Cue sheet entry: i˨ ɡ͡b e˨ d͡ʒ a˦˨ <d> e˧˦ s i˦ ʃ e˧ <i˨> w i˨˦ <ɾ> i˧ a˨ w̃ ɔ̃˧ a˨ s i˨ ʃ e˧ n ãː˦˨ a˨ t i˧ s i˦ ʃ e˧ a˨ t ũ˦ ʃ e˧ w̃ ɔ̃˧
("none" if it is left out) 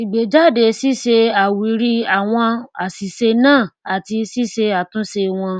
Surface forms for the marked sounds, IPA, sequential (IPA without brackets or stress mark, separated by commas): d, a˨, ɾ